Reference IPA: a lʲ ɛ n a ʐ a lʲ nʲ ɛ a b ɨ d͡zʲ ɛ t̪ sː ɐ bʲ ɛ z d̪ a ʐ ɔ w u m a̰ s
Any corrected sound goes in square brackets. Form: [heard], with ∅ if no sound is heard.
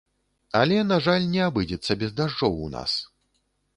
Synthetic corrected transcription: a lʲ ɛ n a ʐ a lʲ nʲ ɛ a b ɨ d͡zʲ ɛ t̪ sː ɐ bʲ ɛ z d̪ a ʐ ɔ w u [n] a̰ s